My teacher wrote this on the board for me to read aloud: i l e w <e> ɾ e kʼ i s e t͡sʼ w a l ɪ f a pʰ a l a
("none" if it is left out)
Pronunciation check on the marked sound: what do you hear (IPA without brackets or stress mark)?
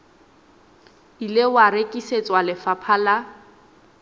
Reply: a